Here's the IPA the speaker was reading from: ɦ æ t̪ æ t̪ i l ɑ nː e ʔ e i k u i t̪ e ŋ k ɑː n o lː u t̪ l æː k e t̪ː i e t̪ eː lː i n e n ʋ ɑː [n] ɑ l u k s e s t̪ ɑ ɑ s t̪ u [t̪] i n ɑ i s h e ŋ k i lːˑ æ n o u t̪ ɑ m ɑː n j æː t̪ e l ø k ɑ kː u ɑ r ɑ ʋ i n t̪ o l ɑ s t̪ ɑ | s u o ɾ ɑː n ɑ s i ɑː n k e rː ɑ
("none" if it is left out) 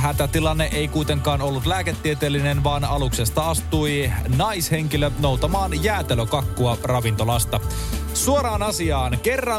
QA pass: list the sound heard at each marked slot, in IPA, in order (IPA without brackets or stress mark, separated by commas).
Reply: n, none